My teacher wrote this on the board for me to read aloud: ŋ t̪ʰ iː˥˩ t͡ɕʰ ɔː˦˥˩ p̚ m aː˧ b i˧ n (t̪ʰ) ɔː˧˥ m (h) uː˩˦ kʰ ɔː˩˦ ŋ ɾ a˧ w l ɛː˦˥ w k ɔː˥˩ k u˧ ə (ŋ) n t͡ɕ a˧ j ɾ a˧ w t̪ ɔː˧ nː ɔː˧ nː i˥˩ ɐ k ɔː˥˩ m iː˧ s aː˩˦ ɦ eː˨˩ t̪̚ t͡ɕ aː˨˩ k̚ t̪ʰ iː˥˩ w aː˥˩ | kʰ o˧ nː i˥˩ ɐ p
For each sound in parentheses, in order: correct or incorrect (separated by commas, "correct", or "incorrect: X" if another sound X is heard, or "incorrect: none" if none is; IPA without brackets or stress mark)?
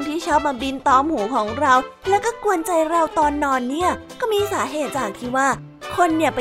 incorrect: t̪, correct, incorrect: none